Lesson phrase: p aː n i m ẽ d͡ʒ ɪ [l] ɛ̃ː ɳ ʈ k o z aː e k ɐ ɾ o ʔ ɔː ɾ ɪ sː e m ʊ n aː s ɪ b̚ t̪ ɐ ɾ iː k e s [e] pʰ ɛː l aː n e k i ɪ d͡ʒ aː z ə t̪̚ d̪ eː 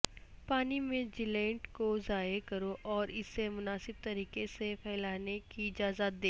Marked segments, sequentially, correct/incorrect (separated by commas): correct, correct